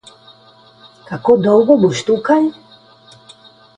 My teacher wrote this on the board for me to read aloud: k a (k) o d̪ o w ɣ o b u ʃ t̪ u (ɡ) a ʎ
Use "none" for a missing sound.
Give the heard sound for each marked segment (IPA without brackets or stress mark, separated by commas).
k, k